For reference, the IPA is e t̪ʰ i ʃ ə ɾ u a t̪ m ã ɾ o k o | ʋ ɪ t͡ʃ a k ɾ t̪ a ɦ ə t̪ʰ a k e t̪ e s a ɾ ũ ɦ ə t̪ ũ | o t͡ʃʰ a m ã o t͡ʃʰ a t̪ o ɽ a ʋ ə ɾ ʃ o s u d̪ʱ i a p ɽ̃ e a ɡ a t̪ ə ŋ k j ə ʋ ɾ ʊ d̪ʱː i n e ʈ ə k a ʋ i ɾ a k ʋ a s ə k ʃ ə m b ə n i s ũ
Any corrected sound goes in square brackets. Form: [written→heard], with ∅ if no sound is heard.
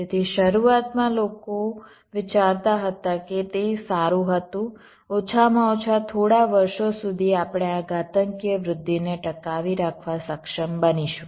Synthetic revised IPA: e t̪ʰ i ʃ ə ɾ u a t̪ m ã [ɾ→l] o k o | ʋ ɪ t͡ʃ a [k→∅] ɾ t̪ a ɦ ə [t̪ʰ→t̪] a k e t̪ e s a ɾ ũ ɦ ə t̪ ũ | o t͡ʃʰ a m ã o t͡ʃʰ a [t̪→t̪ʰ] o ɽ a ʋ ə ɾ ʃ o s u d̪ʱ i a p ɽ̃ e a ɡ a t̪ ə ŋ k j ə ʋ ɾ ʊ d̪ʱː i n e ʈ ə k a ʋ i ɾ a [k→kʰ] ʋ a s ə k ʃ ə m b ə n i [s→ʃ] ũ